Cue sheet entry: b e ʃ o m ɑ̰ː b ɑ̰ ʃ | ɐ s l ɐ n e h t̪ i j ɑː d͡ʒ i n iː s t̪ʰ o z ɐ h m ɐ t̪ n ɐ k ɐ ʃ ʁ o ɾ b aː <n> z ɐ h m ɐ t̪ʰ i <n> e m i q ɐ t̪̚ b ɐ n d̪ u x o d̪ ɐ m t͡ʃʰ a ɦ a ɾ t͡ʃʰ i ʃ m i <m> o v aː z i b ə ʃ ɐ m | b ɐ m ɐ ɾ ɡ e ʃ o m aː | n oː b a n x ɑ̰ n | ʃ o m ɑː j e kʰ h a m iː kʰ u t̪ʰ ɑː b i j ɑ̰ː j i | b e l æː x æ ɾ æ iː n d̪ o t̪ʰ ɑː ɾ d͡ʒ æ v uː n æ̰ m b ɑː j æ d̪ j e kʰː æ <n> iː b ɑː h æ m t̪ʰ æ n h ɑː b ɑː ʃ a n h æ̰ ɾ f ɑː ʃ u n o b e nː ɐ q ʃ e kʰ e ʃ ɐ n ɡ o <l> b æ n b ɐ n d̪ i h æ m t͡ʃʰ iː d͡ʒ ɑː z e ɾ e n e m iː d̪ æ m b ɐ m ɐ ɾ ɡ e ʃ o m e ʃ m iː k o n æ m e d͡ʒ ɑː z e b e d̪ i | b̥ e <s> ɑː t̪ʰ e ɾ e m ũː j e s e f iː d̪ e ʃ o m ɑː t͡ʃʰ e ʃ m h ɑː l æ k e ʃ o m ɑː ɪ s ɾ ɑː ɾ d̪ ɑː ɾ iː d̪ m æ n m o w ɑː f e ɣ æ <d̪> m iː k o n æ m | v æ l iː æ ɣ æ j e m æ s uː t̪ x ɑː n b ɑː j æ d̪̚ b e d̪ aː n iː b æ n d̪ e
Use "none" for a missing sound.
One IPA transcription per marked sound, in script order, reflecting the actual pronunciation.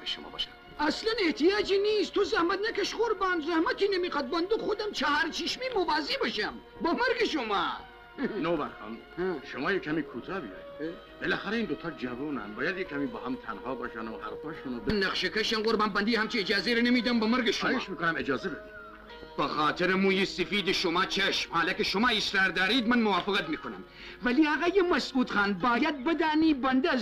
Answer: n, n, m, m, ɾ, x, t̪

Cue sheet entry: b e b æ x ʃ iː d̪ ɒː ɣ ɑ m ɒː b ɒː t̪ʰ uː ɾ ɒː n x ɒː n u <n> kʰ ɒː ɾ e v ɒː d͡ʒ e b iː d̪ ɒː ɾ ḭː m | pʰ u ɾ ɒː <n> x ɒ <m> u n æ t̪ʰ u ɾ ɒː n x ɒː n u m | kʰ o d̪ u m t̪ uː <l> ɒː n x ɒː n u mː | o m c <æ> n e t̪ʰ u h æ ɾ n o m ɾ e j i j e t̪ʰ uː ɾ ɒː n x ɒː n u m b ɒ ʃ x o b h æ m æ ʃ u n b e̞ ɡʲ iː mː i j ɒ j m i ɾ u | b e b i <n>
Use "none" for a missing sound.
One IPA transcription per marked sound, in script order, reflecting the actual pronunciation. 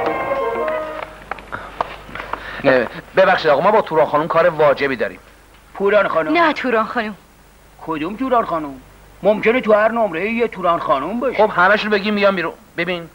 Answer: m, n, n, ɾ, e, n

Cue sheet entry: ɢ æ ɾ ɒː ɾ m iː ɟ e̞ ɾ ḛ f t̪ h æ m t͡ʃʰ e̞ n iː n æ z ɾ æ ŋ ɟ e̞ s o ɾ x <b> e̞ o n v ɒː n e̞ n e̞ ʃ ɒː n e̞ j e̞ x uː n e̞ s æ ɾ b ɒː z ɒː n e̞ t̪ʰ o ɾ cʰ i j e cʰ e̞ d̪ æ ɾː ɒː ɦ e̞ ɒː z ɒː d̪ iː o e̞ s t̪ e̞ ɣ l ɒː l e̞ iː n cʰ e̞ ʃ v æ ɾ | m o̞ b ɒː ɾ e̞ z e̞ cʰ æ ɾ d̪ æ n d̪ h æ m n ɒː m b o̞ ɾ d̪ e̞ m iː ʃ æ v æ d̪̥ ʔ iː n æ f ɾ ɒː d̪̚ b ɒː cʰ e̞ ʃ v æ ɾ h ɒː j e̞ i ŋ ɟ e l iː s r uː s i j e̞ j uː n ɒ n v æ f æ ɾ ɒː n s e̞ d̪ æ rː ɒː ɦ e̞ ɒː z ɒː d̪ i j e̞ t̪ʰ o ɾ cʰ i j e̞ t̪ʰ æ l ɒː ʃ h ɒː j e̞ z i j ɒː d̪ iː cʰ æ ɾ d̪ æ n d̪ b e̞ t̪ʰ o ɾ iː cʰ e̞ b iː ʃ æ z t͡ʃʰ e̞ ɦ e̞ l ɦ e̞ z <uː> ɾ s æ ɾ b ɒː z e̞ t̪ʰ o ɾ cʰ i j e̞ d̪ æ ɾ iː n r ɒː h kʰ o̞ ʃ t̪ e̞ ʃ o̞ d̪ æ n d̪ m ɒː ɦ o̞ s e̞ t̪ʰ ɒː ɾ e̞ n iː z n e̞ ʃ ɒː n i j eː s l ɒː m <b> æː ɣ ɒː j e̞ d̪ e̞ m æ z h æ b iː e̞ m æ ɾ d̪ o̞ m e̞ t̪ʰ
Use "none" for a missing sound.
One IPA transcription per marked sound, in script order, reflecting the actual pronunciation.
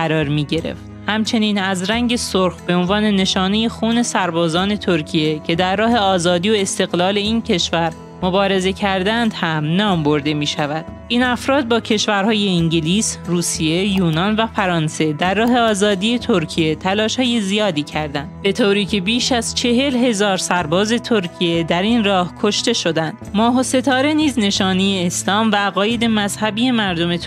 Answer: b, ɒː, v

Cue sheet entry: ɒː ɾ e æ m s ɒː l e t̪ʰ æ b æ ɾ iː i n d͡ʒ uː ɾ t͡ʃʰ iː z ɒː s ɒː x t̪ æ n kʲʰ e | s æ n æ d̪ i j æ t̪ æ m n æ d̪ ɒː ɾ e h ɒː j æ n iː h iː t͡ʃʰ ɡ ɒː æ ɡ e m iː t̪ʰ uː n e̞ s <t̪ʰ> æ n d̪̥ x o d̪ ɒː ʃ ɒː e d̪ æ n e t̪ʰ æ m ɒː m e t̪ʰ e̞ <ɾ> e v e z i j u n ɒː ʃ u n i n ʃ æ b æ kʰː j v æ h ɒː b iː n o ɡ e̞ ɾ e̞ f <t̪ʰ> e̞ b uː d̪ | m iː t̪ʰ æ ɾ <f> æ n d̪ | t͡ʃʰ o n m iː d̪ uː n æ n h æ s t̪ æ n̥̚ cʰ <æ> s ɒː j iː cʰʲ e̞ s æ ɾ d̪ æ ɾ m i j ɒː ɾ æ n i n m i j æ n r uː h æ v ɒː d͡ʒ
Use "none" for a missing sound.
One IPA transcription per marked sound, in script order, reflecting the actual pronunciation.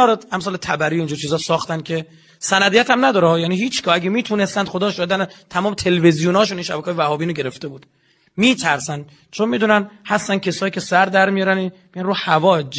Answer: t̪, l, t̪, s, e

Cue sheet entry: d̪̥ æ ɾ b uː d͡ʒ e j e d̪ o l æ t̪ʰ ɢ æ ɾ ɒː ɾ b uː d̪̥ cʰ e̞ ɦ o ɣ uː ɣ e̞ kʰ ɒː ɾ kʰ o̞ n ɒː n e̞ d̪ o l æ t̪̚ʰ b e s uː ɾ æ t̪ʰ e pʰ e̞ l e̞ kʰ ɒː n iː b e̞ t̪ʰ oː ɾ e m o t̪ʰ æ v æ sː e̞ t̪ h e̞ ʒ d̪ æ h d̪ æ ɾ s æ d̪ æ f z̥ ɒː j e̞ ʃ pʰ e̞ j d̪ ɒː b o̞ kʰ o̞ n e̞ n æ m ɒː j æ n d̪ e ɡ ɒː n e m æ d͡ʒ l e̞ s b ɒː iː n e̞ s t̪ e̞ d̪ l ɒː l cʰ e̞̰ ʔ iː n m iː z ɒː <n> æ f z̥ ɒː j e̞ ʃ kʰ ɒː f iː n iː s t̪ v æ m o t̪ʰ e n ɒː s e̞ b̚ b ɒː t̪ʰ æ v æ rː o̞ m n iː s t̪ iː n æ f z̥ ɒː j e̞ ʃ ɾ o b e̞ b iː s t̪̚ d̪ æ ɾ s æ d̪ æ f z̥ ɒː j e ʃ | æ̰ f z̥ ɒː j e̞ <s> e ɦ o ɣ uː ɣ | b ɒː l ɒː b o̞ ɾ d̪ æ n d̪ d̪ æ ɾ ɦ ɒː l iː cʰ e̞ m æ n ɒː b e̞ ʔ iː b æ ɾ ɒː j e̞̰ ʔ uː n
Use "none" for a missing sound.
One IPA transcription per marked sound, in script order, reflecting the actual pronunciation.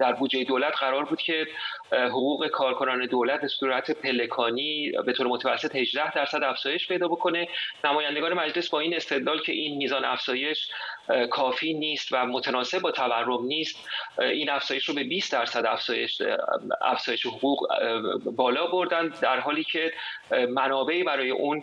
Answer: n, ʃ

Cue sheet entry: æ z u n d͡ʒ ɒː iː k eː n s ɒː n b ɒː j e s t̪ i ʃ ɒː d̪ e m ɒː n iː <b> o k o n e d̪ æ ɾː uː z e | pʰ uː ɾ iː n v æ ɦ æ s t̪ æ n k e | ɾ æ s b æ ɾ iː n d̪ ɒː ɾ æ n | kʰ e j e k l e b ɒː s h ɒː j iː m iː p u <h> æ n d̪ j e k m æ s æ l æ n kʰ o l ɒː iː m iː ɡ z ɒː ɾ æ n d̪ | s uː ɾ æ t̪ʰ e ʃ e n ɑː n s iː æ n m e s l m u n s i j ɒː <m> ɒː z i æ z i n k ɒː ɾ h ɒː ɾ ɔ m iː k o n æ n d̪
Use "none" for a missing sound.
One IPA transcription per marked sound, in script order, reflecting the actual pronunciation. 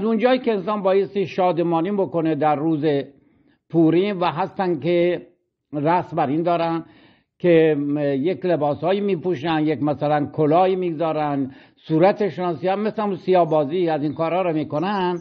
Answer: b, ʃ, b

